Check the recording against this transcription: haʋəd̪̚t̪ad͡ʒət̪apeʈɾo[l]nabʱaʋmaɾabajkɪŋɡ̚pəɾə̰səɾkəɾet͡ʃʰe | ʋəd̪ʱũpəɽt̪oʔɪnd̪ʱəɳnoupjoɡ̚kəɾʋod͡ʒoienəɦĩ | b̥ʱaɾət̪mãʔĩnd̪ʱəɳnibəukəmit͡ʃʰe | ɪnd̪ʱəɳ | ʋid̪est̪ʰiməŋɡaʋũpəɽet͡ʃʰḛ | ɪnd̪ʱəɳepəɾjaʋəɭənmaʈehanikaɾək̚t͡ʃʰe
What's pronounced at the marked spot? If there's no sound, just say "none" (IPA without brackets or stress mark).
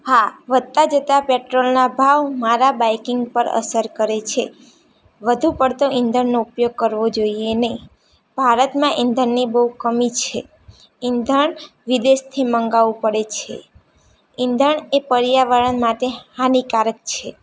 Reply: l